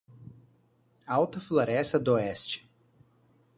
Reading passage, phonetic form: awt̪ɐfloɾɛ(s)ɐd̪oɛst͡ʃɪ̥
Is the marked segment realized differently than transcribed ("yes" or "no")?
no